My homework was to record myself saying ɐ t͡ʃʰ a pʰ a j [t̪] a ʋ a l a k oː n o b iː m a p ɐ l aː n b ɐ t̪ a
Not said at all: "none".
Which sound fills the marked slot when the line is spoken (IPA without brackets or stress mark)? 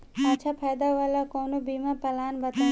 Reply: d̪